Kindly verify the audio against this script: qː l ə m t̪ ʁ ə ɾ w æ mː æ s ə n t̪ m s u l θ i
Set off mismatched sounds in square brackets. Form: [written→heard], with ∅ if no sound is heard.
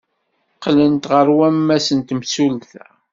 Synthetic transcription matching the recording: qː l ə [m→n] t̪ ʁ ə ɾ w æ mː æ s ə n t̪ m s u l θ [i→æ]